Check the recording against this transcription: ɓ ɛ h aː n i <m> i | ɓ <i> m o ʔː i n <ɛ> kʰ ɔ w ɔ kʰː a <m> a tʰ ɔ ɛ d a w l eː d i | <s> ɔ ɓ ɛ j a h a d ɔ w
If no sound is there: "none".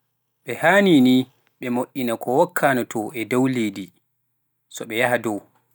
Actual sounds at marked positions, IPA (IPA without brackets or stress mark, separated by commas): n, ɛ, a, n, s